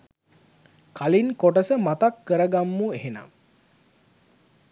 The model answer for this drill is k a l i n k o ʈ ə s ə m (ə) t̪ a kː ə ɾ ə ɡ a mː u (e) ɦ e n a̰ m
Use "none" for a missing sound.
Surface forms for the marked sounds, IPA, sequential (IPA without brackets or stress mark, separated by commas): a, e